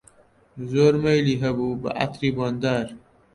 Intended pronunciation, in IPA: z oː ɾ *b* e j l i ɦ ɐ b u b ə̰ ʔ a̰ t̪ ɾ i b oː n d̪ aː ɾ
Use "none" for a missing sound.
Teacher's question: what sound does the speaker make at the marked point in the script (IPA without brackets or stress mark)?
m